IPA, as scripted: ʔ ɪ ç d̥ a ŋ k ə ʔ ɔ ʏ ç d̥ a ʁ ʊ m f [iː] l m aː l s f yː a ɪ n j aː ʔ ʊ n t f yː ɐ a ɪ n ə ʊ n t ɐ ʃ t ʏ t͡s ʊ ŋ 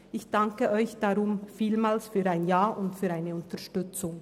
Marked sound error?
no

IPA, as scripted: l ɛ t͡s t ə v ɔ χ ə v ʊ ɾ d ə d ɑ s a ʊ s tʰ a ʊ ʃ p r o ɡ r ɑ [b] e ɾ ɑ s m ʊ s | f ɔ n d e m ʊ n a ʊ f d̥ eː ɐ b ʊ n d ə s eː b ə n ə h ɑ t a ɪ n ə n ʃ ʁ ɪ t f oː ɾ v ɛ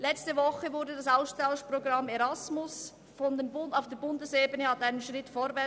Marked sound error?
yes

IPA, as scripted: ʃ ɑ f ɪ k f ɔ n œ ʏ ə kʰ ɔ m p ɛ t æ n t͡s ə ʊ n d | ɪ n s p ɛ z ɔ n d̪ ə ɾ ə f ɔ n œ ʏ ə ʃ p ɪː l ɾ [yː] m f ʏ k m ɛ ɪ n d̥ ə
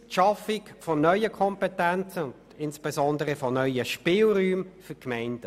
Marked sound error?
no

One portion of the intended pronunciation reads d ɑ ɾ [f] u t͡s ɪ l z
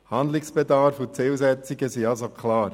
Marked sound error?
no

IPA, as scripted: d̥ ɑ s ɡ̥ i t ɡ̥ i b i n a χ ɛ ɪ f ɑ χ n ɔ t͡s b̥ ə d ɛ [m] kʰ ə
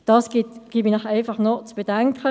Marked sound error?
yes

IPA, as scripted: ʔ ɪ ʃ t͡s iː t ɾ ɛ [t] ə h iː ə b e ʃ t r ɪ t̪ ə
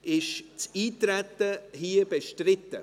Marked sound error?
no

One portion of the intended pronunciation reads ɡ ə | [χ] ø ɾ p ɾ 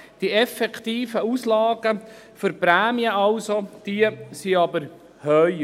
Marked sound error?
yes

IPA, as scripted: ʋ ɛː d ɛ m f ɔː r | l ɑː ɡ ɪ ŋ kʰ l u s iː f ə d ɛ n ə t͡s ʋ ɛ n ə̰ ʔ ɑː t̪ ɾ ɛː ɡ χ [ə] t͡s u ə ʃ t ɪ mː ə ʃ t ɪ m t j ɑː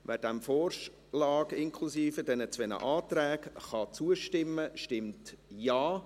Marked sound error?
yes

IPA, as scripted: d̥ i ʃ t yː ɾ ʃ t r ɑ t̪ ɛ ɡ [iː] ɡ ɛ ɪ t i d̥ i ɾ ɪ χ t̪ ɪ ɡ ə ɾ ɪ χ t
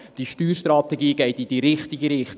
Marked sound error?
no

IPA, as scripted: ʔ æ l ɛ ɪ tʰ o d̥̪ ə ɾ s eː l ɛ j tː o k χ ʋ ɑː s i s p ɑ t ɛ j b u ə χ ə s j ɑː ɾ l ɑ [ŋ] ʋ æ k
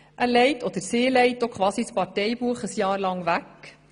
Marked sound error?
no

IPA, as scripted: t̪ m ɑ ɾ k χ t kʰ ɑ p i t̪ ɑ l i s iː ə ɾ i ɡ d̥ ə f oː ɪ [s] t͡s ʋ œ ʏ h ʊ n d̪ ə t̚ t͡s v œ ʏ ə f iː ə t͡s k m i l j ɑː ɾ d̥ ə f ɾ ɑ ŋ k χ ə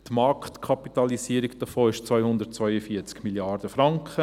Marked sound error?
yes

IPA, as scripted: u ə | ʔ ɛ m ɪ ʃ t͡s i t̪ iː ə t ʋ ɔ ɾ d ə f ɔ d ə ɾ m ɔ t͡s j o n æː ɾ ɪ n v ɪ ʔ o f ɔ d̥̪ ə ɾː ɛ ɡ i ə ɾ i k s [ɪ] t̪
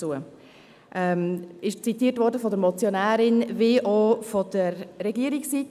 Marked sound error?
yes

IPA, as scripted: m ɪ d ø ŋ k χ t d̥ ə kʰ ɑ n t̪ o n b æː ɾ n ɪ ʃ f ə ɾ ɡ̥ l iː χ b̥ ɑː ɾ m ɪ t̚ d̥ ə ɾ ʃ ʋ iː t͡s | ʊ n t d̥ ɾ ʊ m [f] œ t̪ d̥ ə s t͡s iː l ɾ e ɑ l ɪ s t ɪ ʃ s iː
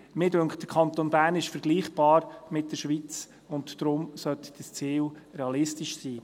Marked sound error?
yes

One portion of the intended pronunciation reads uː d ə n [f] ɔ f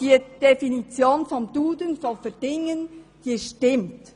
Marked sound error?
no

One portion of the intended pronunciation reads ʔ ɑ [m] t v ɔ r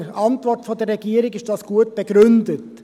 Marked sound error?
yes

